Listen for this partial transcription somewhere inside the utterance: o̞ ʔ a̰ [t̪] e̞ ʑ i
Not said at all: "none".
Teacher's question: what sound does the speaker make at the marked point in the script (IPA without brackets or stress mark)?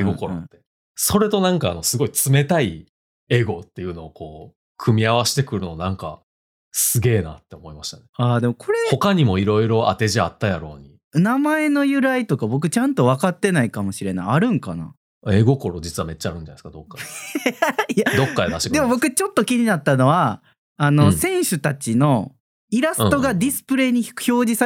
t̪